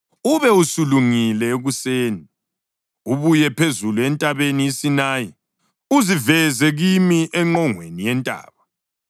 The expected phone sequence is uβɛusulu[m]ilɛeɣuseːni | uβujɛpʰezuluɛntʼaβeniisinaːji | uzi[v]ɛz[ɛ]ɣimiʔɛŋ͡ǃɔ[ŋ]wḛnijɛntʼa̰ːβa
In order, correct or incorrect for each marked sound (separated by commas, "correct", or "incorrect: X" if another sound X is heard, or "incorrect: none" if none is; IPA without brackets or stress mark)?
incorrect: ŋ, correct, correct, correct